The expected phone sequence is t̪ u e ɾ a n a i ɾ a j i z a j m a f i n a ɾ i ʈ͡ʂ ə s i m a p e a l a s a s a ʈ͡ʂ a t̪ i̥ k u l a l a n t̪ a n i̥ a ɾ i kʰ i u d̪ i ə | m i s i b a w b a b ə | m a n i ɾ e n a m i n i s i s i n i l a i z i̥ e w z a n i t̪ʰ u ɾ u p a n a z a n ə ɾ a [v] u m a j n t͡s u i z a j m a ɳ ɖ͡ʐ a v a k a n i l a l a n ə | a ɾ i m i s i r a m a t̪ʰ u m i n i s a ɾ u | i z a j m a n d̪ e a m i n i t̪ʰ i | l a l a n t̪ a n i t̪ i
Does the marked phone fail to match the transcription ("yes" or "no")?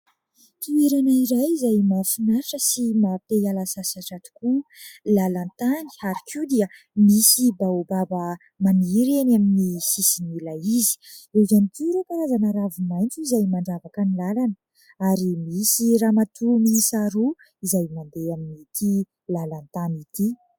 no